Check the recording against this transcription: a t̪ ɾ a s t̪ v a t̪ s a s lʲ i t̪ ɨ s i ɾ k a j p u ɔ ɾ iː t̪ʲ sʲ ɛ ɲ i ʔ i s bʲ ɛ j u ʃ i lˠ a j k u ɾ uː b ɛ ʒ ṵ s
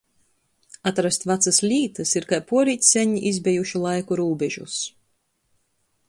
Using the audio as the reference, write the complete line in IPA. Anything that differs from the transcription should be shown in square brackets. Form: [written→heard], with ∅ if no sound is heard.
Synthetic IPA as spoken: a t̪ ɾ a s t̪ v a t̪ s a s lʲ [i→iː] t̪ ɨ s i ɾ k a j p u ɔ ɾ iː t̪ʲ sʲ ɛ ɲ i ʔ i [s→z] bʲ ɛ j u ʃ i lˠ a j k u ɾ uː b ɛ ʒ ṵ s

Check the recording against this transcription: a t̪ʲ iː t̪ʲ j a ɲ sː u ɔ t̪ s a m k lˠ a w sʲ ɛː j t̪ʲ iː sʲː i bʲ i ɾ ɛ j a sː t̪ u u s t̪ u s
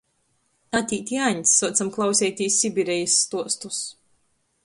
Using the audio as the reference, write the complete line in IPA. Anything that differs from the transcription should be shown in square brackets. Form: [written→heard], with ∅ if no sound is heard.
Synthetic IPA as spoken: a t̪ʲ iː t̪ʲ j a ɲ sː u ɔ t̪ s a m k lˠ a w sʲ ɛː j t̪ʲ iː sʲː i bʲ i ɾ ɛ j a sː t̪ u [u→ɔ] s t̪ u s

